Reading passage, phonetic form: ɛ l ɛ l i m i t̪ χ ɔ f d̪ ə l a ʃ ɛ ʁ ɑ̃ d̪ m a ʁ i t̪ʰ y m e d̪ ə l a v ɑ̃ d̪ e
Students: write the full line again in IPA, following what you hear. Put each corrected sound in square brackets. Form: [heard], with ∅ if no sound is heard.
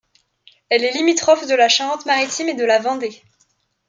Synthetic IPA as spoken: ɛ l ɛ l i m i t̪ χ ɔ f d̪ ə l a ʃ [a] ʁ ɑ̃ [t̪] m a ʁ i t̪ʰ [i] m e d̪ ə l a v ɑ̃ d̪ e